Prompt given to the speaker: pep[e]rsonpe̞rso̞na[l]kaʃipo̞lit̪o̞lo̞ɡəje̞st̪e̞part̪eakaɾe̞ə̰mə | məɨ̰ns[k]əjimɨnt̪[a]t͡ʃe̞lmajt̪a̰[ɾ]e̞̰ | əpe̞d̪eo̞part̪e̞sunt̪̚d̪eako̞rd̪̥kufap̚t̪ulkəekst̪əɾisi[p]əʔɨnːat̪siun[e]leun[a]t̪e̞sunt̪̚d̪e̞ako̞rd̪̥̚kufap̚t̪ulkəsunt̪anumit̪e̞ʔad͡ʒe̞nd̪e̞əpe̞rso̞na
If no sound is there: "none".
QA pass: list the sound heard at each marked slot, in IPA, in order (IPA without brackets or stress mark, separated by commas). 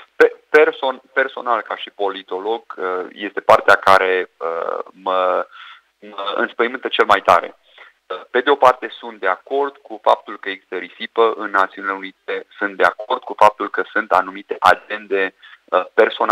e, l, p, ə, ɾ, p, i, i